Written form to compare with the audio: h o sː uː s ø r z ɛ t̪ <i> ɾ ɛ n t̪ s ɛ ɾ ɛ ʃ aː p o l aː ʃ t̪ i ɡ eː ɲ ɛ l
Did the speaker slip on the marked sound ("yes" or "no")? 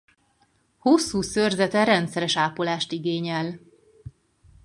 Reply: yes